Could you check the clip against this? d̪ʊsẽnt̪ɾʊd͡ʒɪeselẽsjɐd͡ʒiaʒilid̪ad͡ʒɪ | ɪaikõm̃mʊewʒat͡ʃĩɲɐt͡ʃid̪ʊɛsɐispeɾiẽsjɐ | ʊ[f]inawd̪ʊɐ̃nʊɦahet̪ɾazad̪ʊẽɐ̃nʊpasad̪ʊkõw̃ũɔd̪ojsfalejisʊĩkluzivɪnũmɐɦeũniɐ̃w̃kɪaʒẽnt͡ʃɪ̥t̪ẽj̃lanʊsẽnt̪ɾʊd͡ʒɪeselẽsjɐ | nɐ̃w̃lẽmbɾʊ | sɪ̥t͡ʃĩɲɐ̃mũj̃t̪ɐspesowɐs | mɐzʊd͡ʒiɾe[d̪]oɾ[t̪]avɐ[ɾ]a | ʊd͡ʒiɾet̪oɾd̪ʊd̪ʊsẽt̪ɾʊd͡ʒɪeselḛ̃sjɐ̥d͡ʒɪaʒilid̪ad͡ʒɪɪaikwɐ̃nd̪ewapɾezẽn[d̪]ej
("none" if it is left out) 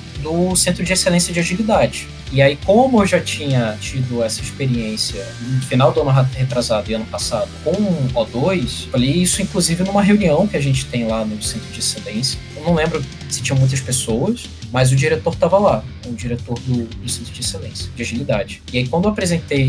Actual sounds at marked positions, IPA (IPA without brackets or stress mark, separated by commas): f, t̪, t̪, l, t̪